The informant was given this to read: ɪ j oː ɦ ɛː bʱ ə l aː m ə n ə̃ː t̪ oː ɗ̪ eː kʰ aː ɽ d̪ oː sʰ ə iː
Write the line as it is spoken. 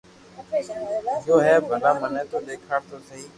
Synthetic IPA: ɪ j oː ɦ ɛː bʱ ə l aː m ə n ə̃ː t̪ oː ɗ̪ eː kʰ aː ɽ t̪ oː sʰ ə iː